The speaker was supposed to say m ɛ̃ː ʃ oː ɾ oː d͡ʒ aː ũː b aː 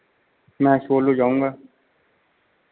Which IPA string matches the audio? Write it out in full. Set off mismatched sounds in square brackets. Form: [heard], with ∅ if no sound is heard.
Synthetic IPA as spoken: m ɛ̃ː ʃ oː [l] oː d͡ʒ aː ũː [ɡ] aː